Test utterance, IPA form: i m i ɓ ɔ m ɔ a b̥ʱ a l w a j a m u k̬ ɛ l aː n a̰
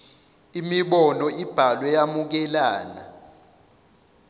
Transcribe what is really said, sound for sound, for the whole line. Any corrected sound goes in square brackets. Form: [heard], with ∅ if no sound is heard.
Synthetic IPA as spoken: i m i ɓ ɔ [n] ɔ [i] b̥ʱ a l w [ɛ] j a m u k̬ ɛ l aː n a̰